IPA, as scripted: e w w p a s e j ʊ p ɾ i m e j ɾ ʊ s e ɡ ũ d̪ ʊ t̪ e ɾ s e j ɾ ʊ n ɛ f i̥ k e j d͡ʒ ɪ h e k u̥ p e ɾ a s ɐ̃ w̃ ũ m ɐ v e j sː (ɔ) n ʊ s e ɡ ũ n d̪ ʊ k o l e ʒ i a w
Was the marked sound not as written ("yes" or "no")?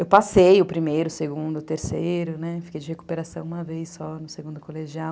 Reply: no